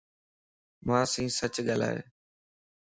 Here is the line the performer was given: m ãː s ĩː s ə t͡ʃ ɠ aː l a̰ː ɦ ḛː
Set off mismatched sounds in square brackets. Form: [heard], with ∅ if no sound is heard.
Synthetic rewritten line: m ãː s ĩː s ə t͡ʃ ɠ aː l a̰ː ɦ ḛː